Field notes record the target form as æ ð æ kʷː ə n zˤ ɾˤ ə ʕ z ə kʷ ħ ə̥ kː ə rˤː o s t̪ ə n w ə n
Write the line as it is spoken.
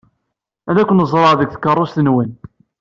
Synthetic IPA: æ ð æ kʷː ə n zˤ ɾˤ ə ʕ ð ə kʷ θ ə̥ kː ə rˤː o s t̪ ə n w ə n